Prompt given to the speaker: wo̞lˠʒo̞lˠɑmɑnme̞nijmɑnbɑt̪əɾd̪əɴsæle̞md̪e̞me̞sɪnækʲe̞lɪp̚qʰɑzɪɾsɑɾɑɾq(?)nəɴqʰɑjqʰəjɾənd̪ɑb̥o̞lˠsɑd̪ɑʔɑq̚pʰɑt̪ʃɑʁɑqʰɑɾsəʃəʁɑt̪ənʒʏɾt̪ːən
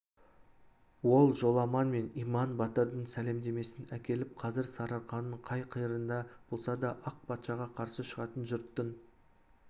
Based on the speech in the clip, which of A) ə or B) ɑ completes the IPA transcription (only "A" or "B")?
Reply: B